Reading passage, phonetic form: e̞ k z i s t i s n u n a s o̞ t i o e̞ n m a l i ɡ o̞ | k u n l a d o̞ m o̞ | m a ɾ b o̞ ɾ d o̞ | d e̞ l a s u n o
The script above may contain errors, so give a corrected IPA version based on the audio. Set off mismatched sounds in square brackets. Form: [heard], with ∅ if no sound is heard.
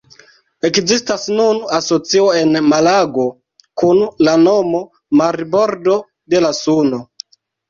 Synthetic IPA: e̞ k z i s t [a] s n u n a s o̞ [t͡s] i o e̞ n m a l [a] ɡ o̞ | k u n l a [n] o̞ m o̞ | m a ɾ b o̞ ɾ d o̞ | d e̞ l a s u n o